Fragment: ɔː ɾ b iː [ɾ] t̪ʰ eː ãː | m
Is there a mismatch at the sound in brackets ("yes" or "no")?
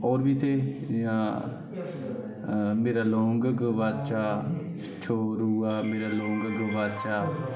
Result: yes